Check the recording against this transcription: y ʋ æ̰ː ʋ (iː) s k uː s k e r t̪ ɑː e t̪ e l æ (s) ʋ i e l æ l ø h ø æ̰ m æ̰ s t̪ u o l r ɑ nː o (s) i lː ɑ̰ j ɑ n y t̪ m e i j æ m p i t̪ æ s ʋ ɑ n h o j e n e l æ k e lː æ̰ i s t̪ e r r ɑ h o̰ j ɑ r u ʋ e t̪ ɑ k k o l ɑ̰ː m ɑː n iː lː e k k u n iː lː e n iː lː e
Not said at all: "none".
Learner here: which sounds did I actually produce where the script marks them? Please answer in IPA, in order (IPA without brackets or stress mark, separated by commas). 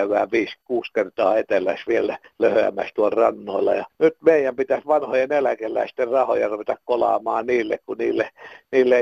iː, s, none